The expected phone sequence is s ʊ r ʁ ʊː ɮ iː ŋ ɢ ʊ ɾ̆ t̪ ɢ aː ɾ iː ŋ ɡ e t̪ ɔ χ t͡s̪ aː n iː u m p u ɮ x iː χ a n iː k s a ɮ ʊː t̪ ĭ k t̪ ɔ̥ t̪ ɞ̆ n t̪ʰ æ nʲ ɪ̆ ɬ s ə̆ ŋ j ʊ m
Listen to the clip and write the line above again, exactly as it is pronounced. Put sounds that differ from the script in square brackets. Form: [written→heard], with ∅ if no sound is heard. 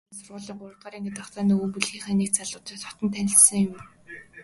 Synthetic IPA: s ʊ r ʁ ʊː ɮ iː ŋ ɢ ʊ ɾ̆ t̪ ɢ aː ɾ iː ŋ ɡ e t̪ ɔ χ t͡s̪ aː n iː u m p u ɮ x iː χ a n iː k [s→t͡s] a ɮ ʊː t̪ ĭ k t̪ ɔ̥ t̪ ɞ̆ n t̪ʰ æ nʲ ɪ̆ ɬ s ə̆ ŋ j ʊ m